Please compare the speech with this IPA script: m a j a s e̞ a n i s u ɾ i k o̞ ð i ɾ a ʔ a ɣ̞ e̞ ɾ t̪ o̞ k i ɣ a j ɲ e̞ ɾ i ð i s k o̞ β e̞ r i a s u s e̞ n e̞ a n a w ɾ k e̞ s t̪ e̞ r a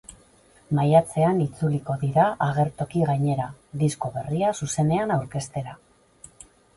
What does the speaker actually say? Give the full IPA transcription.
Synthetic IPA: m a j a t͡s e̞ a n i t͡s u l i k o̞ ð i ɾ a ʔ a ɣ̞ e̞ ɾ t̪ o̞ k i ɣ a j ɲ e̞ ɾ a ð i s k o̞ β e̞ r i a s u s e̞ n e̞ a n a w ɾ k e̞ s t̪ e̞ ɾ a